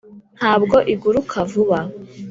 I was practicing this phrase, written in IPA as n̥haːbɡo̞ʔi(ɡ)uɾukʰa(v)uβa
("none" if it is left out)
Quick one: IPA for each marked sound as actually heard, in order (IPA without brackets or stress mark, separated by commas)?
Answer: ɡ, v